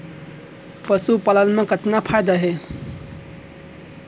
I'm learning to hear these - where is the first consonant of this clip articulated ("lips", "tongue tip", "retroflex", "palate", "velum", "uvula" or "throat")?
lips